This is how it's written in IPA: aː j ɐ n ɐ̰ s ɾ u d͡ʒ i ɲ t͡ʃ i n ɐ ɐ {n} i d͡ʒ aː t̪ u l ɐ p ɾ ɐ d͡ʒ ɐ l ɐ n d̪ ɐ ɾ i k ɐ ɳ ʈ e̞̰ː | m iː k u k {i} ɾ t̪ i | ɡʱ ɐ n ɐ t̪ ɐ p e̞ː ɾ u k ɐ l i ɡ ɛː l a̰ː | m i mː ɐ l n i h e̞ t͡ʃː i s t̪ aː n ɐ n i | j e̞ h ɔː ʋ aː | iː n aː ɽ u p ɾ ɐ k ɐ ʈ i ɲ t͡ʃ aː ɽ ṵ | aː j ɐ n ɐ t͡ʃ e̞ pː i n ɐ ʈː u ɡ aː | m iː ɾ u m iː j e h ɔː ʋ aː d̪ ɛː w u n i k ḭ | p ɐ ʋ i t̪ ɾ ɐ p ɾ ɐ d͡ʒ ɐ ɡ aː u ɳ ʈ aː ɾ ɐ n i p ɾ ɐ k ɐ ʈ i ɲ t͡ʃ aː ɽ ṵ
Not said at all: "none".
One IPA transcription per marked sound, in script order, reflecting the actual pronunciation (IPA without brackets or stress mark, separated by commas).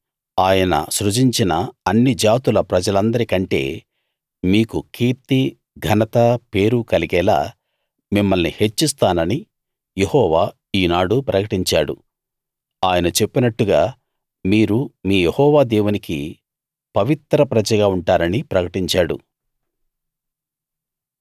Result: nː, iː